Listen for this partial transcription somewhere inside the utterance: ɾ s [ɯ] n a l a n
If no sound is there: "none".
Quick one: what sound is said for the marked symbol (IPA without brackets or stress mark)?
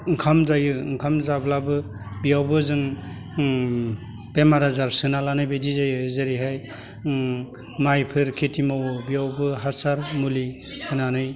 ɯ